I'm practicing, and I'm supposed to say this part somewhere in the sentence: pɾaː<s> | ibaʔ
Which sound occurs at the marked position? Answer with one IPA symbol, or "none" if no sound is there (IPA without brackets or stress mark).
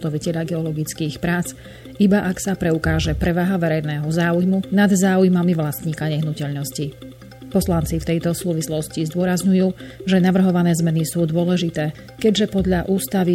t͡s